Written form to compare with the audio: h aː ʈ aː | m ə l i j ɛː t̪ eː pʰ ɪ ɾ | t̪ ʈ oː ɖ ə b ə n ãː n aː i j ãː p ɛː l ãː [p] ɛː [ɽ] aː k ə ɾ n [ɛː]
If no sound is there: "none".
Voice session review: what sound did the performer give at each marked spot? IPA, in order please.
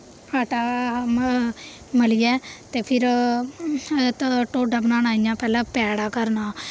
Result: p, ɽ, aː

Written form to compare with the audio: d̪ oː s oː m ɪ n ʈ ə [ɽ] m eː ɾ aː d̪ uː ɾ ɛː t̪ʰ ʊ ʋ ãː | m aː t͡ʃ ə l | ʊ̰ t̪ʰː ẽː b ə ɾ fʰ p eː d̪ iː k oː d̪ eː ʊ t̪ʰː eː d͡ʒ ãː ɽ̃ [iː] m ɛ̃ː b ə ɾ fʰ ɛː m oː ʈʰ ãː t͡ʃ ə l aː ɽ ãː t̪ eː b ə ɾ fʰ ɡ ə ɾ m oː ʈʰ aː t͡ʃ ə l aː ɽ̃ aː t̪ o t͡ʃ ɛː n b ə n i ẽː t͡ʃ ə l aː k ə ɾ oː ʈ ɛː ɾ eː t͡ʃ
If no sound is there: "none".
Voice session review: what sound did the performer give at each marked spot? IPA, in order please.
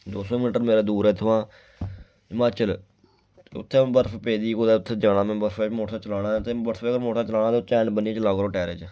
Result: ɾ, aː

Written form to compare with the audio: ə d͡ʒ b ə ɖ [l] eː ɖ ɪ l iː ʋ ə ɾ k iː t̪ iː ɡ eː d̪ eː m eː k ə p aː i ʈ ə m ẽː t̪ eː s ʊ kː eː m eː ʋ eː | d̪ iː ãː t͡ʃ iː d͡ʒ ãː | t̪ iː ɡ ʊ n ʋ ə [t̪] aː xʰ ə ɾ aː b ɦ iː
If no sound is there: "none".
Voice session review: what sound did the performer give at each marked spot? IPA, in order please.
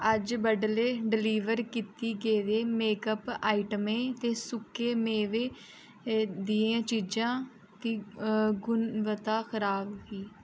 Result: l, t̪

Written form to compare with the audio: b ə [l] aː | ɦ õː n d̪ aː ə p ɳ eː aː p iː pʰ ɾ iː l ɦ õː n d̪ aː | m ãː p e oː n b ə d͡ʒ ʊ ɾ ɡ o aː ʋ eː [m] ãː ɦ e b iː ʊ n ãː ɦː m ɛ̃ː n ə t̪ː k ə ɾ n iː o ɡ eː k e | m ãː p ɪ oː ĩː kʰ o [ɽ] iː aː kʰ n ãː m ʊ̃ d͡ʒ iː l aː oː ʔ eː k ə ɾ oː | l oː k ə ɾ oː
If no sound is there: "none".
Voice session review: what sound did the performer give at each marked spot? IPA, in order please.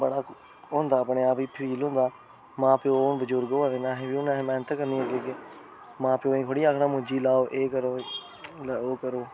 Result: ɽ, n, ɽ

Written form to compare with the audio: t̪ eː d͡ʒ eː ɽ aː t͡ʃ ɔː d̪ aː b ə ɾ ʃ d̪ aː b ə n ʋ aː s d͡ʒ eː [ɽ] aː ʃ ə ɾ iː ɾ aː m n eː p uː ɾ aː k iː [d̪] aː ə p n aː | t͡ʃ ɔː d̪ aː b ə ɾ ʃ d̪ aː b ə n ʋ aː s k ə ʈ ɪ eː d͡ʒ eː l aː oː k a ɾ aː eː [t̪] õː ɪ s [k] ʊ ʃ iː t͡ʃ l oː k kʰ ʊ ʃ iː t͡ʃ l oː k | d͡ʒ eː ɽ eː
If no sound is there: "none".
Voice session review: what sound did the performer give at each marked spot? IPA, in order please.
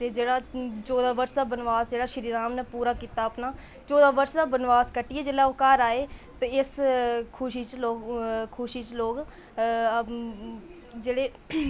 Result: ɽ, t̪, t̪, kʰ

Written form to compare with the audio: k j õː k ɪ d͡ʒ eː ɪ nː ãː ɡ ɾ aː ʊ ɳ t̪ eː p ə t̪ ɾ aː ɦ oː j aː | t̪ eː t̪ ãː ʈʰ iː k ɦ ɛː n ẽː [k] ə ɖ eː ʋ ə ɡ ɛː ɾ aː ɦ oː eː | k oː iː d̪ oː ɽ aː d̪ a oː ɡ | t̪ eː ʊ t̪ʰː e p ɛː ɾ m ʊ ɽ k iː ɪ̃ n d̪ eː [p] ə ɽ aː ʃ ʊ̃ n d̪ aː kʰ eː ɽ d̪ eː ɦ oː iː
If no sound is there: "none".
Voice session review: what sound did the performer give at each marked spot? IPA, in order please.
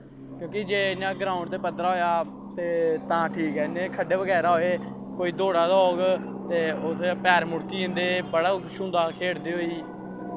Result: kʰ, b

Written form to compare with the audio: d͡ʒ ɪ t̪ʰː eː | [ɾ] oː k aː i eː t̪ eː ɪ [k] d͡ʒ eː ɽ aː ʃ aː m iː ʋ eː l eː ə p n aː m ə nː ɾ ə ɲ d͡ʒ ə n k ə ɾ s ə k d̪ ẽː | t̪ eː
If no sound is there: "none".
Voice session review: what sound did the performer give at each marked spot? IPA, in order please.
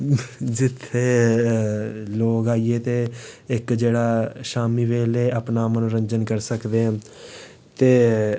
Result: l, k

